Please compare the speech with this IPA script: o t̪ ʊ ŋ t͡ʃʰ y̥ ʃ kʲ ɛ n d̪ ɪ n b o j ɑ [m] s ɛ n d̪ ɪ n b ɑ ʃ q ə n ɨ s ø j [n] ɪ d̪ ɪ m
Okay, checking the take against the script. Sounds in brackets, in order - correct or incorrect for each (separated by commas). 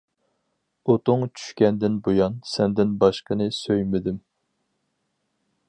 incorrect, incorrect